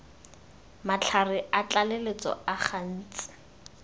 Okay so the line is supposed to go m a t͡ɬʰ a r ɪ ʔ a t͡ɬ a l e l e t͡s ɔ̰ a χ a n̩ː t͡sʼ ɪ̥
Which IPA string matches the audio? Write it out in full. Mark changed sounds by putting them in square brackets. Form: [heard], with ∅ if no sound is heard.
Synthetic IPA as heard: m a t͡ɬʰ a r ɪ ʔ a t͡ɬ a l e l e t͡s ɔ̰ a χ a n̩ː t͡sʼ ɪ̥